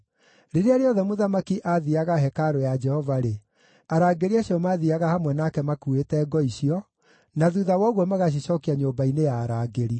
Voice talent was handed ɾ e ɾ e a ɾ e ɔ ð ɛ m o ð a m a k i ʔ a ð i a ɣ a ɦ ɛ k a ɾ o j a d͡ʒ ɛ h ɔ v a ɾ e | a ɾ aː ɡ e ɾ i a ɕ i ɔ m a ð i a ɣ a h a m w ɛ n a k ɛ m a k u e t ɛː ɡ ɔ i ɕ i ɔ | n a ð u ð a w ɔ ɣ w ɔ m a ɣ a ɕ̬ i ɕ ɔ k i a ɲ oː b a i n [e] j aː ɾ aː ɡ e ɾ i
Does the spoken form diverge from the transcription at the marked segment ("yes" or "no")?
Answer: no